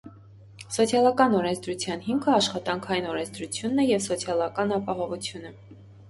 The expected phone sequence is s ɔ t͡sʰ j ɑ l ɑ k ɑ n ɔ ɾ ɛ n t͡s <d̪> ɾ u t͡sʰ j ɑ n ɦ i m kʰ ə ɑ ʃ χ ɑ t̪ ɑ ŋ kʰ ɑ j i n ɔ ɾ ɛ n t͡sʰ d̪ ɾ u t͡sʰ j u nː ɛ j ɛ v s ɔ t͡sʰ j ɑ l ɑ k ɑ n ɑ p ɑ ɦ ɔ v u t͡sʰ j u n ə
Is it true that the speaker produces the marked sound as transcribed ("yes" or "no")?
yes